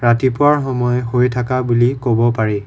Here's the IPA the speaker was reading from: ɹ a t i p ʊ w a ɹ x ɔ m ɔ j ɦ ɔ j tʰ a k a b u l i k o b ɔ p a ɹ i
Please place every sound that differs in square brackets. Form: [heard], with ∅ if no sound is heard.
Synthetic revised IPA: ɹ a t i p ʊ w a ɹ x ɔ m ɔ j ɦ [o] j tʰ a k a b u l i k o b ɔ p a ɹ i